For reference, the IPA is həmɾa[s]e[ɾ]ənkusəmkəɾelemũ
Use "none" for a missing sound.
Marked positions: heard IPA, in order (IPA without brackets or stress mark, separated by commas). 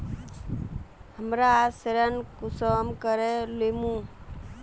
s, ɾ